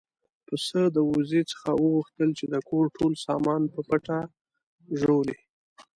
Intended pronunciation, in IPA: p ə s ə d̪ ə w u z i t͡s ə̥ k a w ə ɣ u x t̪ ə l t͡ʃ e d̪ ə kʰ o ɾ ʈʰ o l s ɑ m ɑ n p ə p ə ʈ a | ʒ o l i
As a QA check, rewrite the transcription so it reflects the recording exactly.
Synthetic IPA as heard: p ə s ə d̪ ə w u z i t͡s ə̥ x a w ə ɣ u x t̪ ə l t͡ʃ e d̪ ə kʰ o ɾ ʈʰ o l s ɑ m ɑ n p ə p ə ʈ a | ʒ o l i